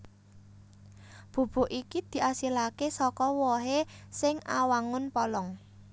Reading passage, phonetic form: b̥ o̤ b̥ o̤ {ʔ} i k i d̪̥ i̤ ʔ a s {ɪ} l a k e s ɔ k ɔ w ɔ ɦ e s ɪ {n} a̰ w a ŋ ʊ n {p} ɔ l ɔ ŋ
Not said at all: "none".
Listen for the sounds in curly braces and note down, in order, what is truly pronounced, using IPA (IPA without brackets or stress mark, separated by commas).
ʔ, i, ŋ, p